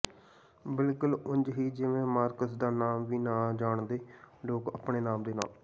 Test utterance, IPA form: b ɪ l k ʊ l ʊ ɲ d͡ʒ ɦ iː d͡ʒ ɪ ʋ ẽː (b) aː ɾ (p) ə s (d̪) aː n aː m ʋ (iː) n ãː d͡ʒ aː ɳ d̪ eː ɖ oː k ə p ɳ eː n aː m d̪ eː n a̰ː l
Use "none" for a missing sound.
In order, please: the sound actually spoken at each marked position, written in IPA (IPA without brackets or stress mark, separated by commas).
m, k, d̪, iː